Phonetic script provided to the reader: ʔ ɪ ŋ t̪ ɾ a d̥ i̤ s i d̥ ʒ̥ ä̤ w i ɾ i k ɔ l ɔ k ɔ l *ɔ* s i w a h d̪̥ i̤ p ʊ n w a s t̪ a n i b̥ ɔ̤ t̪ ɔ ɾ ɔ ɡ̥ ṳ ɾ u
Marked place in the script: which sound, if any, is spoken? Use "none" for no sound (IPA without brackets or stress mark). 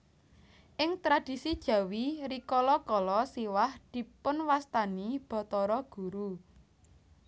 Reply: ɔ